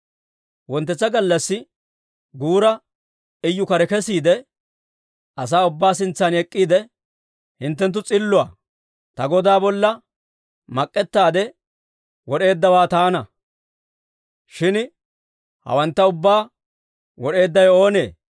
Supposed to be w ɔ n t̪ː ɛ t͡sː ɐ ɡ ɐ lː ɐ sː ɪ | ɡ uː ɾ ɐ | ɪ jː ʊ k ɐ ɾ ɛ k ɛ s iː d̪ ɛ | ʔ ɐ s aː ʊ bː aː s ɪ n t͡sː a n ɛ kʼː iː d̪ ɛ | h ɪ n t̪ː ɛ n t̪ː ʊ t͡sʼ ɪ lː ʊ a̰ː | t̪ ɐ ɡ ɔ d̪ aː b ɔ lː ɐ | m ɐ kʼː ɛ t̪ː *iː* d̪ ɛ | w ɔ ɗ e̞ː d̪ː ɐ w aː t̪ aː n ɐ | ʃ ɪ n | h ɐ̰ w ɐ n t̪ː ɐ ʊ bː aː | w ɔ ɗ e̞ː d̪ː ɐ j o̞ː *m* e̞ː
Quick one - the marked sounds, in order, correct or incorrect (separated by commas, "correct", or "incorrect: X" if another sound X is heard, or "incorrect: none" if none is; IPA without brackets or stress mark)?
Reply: incorrect: aː, incorrect: n